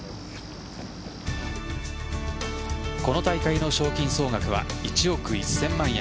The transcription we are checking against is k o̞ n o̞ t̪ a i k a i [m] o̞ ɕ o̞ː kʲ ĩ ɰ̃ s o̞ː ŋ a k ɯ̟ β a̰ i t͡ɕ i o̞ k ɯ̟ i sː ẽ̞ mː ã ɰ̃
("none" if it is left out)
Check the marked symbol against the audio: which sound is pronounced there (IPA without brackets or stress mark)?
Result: n